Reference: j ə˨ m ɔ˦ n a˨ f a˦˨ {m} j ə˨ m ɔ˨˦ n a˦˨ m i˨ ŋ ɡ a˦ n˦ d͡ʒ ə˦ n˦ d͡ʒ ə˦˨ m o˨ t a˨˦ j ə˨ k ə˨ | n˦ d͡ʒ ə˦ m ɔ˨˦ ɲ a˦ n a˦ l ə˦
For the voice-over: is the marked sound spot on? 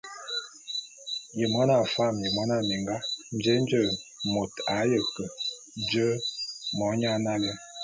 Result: yes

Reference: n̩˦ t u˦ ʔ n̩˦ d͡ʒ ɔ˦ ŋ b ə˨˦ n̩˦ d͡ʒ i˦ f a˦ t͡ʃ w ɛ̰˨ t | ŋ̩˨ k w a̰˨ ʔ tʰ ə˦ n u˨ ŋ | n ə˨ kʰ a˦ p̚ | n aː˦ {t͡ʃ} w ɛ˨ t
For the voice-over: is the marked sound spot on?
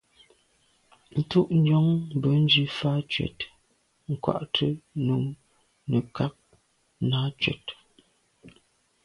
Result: yes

